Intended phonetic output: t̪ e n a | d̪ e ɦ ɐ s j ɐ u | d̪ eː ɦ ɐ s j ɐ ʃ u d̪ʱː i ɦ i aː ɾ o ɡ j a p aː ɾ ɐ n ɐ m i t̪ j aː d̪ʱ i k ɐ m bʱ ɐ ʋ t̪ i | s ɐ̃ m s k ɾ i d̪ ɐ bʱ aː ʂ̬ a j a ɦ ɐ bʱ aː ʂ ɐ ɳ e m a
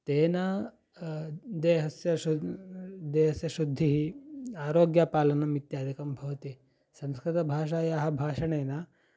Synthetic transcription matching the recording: t̪ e n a | d̪ e ɦ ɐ s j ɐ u | d̪ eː ɦ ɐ s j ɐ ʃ u d̪ʱː i ɦ i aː ɾ o ɡ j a p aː l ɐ n ɐ m i t̪ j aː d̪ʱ i k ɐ m bʱ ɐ ʋ t̪ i | s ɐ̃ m s k ɾ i t̪ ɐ bʱ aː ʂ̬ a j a ɦ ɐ bʱ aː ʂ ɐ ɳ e n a

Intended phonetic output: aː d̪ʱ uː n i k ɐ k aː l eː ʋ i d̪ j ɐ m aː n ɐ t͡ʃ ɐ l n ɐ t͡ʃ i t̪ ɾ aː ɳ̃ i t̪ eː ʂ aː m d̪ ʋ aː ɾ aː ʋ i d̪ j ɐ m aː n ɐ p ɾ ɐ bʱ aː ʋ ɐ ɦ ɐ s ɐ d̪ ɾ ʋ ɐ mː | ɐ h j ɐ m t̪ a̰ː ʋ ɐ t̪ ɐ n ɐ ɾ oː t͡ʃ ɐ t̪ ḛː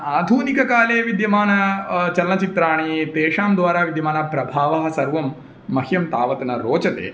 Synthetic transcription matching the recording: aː d̪ʱ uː n i k ɐ k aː l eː ʋ i d̪ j ɐ m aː n ɐ t͡ʃ ɐ l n ɐ t͡ʃ i t̪ ɾ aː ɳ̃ i t̪ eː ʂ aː m d̪ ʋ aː ɾ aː ʋ i d̪ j ɐ m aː n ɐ p ɾ ɐ bʱ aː ʋ ɐ ɦ ɐ s ɐ ɾ ʋ ɐ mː | ɐ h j ɐ m t̪ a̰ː ʋ ɐ t̪ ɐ n ɐ ɾ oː t͡ʃ ɐ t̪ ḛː

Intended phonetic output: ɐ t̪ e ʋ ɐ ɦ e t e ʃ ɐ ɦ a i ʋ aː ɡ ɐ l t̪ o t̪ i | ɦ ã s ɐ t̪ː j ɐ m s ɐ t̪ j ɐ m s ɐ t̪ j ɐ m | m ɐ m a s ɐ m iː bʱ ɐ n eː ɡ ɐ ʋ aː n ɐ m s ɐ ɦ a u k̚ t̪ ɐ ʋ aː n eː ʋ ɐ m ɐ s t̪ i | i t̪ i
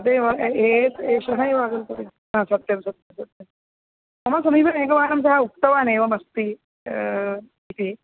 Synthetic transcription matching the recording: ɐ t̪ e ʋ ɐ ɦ e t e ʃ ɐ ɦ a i ʋ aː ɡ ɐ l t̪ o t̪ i | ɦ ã s ɐ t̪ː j ɐ m s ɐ t̪ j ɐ m s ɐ t̪ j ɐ m | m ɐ m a s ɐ m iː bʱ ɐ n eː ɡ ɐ ʋ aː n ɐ m s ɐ ɦ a u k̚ t̪ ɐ ʋ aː n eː ʋ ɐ m ɐ s t̪ i | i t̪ i

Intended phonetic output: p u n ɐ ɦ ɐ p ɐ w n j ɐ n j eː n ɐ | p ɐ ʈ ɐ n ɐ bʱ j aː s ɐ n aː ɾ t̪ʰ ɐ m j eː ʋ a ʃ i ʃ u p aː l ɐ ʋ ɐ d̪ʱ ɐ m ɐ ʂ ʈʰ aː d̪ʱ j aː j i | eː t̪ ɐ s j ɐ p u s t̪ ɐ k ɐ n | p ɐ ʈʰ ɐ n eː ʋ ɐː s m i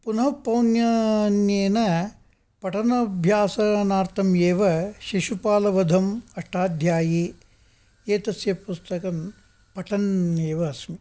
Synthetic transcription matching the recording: p u n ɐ ɦ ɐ p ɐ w n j ɐ n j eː n ɐ | p ɐ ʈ ɐ n ɐ bʱ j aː s ɐ n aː ɾ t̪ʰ ɐ m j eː ʋ ɐ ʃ i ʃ u p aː l ɐ ʋ ɐ d̪ʱ ɐ m ɐ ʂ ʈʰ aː d̪ʱ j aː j i | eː t̪ ɐ s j ɐ p u s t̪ ɐ k ɐ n | p ɐ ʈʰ ɐ n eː ʋ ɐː s m i

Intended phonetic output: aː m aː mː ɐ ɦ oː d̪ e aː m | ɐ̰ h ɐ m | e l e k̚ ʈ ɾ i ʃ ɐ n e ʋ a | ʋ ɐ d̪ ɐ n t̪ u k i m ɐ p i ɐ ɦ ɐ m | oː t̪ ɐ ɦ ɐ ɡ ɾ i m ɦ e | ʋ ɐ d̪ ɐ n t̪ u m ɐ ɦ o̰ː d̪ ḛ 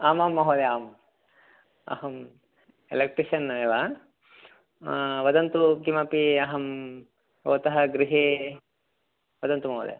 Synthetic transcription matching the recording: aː m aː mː ɐ ɦ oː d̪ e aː m | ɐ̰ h ɐ m | e l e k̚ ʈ ɾ i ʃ ɐ n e ʋ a | ʋ ɐ d̪ ɐ n t̪ u k i m ɐ p i ɐ ɦ ɐ m | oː t̪ ɐ ɦ ɐ ɡ ɾ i ɦ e | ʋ ɐ d̪ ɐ n t̪ u m ɐ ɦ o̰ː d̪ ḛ

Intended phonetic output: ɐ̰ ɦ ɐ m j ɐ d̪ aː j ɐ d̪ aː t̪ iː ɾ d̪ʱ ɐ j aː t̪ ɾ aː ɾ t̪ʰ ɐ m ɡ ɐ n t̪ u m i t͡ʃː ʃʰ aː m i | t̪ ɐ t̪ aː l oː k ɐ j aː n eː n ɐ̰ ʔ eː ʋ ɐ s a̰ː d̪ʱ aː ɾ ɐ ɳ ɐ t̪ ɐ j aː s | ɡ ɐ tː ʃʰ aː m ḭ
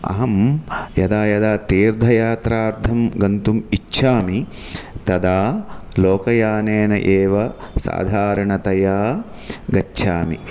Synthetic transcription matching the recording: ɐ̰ ɦ ɐ m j ɐ d̪ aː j ɐ d̪ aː t̪ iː ɾ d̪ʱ ɐ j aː t̪ ɾ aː ɾ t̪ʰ ɐ m ɡ ɐ n t̪ u m i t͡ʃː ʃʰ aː m i | t̪ ɐ d̪ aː l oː k ɐ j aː n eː n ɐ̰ ʔ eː ʋ ɐ s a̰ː d̪ʱ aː ɾ ɐ ɳ ɐ t̪ ɐ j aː | ɡ ɐ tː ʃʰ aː m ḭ

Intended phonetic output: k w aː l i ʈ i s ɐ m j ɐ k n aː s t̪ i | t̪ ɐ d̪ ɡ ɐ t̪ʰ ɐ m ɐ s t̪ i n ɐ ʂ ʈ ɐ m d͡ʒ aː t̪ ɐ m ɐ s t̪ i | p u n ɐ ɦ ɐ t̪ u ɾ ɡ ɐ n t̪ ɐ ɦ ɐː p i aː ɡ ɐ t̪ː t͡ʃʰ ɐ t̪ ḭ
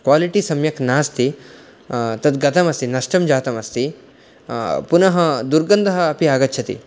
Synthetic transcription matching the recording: k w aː l i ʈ i s ɐ m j ɐ k n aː s t̪ i | t̪ ɐ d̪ ɡ ɐ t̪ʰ ɐ m ɐ s t̪ i n ɐ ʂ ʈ ɐ m d͡ʒ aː t̪ ɐ m ɐ s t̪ i | p u n ɐ ɦ ɐ d̪ u ɾ ɡ ɐ n d̪ ɐ ɦ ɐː p i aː ɡ ɐ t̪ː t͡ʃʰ ɐ t̪ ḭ

